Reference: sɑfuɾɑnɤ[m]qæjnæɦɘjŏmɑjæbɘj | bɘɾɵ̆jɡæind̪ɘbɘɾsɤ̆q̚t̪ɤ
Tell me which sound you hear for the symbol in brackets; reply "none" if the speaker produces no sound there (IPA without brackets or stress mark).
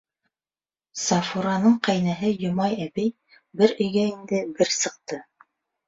ɴ